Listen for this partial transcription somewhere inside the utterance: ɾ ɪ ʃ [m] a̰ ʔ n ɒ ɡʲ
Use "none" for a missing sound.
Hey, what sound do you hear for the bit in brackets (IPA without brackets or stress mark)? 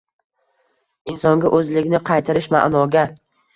m